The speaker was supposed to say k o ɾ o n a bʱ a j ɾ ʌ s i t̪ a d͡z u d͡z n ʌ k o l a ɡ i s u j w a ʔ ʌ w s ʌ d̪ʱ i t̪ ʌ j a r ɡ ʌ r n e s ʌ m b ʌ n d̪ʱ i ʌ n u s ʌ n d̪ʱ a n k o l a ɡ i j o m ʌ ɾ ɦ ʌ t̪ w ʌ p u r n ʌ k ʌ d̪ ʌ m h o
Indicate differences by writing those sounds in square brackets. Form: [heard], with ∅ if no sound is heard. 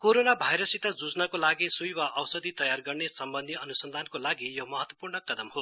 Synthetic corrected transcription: k o ɾ o n a bʱ a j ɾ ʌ s i t̪ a d͡z u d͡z n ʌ k o l a ɡ i s u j w a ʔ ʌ w s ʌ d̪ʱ i t̪ ʌ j a r ɡ ʌ r n e s ʌ m b ʌ n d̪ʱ i ʌ n u s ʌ n d̪ʱ a n k o l a ɡ i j o m ʌ [∅] ɦ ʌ t̪ w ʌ p u r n ʌ k ʌ d̪ ʌ m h o